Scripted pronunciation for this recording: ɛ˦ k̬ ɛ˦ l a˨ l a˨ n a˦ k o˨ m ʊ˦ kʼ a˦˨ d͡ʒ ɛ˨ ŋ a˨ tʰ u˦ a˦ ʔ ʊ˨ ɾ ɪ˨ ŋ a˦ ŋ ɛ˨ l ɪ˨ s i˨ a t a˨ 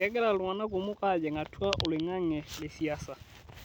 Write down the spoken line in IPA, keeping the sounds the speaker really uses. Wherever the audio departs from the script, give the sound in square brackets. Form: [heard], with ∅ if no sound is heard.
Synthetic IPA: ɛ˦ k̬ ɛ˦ l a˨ l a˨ n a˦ k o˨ m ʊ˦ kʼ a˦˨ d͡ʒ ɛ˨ ŋ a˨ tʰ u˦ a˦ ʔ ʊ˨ [l] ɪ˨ ŋ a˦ ŋ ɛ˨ l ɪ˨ s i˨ a [s] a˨